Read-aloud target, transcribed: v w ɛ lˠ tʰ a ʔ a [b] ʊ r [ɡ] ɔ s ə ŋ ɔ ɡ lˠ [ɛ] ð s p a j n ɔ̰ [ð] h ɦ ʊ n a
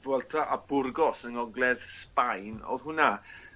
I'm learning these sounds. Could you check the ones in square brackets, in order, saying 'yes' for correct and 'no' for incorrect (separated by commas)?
yes, yes, yes, yes